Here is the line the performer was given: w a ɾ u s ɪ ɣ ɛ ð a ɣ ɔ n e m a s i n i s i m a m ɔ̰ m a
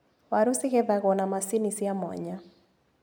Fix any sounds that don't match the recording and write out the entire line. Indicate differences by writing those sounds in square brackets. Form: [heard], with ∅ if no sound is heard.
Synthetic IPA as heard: w a ɾ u s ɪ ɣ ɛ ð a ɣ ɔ n [a] m a s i n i s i [∅] a m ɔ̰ [ɲ] a